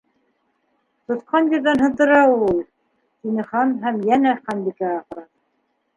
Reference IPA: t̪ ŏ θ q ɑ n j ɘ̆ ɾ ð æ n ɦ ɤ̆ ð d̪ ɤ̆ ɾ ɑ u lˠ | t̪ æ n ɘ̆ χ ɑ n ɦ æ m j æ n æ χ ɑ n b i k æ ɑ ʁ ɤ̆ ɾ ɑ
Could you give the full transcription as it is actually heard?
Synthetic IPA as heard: t̪ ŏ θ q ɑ n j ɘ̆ ɾ ð æ n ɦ ɤ̆ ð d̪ ɤ̆ ɾ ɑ u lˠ | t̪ i n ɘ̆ χ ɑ n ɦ æ m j æ n æ χ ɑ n b i k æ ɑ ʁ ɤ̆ ɾ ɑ